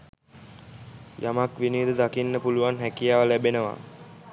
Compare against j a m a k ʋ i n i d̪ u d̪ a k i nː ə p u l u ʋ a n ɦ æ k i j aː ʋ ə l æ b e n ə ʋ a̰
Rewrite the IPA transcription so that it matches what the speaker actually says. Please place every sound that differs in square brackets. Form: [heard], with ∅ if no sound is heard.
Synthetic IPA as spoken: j a m a k ʋ i n i d̪ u d̪ a k i nː ə p u l u ʋ a n ɦ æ k i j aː ʋ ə l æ b e n ə ʋ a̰